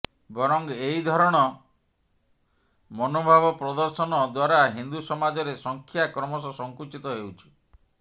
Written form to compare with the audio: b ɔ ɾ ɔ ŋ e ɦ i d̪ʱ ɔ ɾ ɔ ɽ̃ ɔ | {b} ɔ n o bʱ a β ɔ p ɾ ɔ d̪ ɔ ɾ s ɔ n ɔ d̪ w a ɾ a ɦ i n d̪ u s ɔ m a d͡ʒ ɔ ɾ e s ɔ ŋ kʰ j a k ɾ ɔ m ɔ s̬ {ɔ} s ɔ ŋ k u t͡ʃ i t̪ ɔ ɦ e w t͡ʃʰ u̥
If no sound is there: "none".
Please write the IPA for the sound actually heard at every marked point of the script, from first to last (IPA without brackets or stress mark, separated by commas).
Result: m, ɔ